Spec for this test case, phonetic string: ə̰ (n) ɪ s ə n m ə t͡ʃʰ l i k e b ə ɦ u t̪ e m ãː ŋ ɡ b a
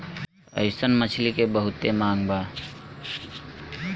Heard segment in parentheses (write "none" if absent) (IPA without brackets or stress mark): none